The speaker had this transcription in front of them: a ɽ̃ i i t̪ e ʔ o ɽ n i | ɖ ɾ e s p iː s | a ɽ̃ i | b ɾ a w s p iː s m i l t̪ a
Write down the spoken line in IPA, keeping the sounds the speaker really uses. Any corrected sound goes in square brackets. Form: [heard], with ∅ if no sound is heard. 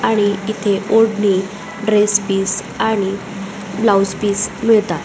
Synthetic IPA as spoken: a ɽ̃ i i [t̪ʰ] e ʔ o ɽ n i | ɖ ɾ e s p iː s | a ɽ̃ i | b [l] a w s p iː s m i [ɭ] t̪ a